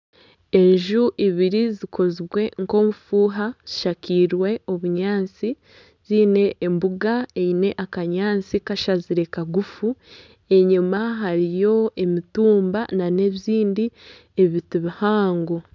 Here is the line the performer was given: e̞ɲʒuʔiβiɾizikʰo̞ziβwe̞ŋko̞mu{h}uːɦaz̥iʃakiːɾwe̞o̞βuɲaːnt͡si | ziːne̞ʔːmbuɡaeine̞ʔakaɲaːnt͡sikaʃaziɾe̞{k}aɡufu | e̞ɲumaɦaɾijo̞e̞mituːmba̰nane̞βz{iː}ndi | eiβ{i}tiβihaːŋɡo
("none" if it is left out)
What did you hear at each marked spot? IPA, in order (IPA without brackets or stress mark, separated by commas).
f, k, iː, i